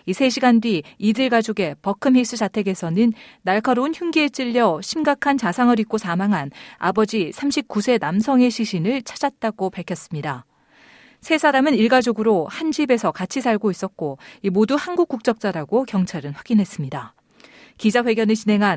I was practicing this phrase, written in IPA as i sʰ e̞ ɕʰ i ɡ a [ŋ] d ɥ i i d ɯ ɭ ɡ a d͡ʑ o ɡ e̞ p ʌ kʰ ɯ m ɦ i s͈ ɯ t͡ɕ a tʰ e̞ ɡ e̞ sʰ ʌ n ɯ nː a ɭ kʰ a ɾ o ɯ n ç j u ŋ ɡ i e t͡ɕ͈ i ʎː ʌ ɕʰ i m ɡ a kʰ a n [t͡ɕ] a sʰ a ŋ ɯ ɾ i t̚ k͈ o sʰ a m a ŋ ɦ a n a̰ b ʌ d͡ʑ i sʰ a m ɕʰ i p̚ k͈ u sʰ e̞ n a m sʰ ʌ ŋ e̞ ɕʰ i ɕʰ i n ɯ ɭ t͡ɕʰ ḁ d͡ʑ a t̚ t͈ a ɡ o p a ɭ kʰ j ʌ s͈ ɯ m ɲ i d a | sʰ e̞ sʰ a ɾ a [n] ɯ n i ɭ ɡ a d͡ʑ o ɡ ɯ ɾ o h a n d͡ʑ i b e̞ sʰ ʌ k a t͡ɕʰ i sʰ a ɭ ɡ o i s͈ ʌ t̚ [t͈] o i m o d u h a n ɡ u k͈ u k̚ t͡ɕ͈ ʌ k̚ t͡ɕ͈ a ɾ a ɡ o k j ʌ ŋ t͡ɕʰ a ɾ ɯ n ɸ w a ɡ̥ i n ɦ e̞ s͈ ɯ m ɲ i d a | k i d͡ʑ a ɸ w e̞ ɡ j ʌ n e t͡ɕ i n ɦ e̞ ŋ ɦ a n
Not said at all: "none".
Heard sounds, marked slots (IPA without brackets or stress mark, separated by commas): n, t͡ɕ, m, k͈